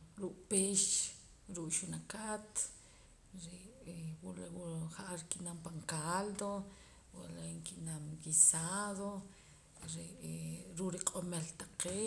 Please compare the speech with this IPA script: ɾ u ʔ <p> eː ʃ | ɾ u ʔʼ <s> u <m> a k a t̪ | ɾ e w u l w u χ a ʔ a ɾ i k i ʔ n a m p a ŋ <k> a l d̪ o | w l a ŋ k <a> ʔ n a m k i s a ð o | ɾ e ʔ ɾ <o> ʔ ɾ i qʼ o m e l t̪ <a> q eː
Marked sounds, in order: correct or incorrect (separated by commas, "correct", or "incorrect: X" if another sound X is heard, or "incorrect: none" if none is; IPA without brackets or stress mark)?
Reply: correct, incorrect: ʃ, incorrect: n, correct, incorrect: i, incorrect: u, correct